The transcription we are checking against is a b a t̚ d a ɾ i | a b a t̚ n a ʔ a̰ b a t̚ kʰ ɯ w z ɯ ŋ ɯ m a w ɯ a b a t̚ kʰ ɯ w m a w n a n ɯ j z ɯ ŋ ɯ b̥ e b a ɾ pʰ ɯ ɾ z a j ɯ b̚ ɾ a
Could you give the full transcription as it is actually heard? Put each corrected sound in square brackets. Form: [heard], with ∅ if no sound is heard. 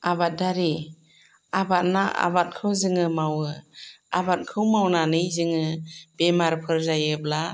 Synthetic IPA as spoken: a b a t̚ d a ɾ i | a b a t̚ n a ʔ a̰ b a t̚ kʰ ɯ w z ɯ ŋ ɯ m a w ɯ a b a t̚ kʰ ɯ w m a w n a n ɯ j z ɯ ŋ ɯ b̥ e [m] a ɾ pʰ ɯ ɾ z a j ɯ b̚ [l] a